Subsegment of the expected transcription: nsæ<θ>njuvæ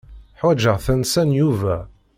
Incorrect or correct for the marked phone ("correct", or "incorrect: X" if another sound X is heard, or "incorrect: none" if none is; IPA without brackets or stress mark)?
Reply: incorrect: none